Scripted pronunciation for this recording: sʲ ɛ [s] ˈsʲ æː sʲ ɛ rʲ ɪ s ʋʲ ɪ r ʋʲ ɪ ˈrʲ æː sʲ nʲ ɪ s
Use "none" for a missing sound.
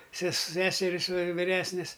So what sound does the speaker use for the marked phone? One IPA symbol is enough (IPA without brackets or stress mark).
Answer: s